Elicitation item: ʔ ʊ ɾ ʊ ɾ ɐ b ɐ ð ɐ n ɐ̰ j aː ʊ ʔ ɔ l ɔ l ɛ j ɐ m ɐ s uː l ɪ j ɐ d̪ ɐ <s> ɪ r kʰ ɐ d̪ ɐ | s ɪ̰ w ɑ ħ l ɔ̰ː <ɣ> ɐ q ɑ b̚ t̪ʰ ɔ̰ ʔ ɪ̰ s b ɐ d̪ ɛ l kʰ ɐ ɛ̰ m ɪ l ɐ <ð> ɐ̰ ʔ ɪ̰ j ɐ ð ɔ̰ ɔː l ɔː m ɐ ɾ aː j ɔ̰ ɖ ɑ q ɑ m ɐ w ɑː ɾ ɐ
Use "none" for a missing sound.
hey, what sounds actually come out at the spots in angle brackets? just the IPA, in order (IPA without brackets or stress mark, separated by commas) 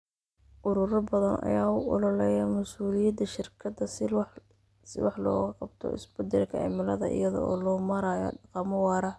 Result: ʃ, ɣ, ð